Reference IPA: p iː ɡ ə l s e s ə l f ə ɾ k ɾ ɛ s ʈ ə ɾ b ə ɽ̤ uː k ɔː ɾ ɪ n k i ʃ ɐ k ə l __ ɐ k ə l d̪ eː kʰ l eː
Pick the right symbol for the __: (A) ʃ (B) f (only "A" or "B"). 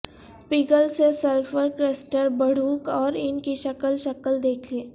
A